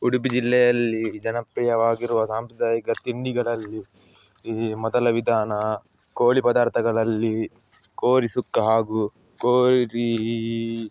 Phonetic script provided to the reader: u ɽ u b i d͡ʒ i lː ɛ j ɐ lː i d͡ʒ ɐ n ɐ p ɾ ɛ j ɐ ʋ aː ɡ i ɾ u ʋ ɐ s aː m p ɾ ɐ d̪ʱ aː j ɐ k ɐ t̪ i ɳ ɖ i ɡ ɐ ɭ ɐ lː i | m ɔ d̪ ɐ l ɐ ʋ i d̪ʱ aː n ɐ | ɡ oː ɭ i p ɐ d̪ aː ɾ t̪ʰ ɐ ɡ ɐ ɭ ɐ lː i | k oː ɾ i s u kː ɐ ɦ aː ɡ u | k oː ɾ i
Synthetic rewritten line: u ɽ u b i d͡ʒ i lː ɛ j ɐ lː i d͡ʒ ɐ n ɐ p ɾ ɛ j ɐ ʋ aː ɡ i ɾ u ʋ ɐ s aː m p ɾ ɐ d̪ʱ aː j ɐ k ɐ t̪ i ɳ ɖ i ɡ ɐ ɭ ɐ lː i | m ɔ d̪ ɐ l ɐ ʋ i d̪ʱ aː n ɐ | k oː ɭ i p ɐ d̪ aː ɾ t̪ʰ ɐ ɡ ɐ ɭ ɐ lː i | k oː ɾ i s u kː ɐ ɦ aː ɡ u | k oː ɾ i